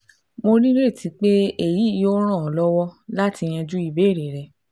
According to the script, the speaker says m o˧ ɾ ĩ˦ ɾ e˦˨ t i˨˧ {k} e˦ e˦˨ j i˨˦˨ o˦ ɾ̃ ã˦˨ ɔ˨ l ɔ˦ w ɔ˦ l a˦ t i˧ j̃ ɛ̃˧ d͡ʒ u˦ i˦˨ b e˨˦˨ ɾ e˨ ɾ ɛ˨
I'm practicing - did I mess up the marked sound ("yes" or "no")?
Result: yes